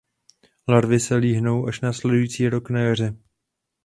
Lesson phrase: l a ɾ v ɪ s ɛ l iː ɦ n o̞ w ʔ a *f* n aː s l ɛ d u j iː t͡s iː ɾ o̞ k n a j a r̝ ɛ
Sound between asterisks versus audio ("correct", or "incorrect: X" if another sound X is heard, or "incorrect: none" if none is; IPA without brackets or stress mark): incorrect: ʃ